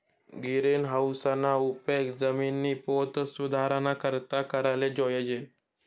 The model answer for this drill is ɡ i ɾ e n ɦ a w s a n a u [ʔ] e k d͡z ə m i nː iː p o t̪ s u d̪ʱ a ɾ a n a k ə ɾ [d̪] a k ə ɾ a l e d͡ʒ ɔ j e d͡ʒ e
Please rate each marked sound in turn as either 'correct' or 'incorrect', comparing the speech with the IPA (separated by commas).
incorrect, incorrect